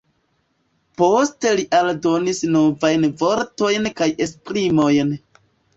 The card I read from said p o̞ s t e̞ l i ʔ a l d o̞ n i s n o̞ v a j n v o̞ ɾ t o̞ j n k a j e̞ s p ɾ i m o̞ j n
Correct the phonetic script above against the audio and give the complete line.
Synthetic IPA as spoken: p o̞ s t e̞ l i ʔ a l d o̞ n i s n o̞ v a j n v o̞ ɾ t o̞ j n k a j e̞ s p ɾ i m o̞ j n